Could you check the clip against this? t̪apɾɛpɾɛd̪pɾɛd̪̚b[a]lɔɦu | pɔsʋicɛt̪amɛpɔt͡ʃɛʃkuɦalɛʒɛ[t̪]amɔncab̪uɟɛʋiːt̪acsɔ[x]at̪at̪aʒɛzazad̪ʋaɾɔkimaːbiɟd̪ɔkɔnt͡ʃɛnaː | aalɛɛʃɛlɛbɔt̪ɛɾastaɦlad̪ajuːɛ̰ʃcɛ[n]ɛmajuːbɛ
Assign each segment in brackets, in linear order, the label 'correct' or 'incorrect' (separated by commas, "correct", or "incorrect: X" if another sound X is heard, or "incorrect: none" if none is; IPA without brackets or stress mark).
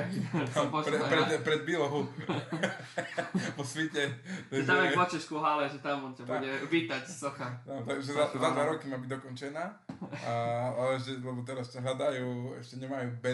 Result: incorrect: i, correct, correct, incorrect: ɲ